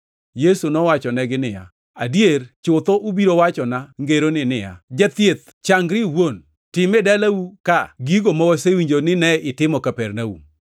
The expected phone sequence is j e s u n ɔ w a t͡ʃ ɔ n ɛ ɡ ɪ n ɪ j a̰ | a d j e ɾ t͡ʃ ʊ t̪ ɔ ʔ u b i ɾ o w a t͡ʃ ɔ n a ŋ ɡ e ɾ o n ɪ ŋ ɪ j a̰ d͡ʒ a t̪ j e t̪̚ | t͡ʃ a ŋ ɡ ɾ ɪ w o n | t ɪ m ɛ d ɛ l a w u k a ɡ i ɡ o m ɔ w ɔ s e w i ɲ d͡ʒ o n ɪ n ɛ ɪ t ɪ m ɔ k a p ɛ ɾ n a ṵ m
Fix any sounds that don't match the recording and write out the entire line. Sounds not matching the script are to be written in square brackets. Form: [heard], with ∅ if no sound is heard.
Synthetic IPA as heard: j e s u n ɔ w a t͡ʃ ɔ n ɛ ɡ ɪ n ɪ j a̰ | a d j e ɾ t͡ʃ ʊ t̪ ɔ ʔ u b i ɾ o w a t͡ʃ ɔ n a ŋ ɡ e ɾ o n ɪ [n] ɪ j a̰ d͡ʒ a t̪ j e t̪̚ | t͡ʃ a ŋ ɡ ɾ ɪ w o n | t ɪ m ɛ d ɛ l a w u k a ɡ i ɡ o m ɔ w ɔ s e w i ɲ d͡ʒ o n ɪ n ɛ ɪ t ɪ m ɔ k a p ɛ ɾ n a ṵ m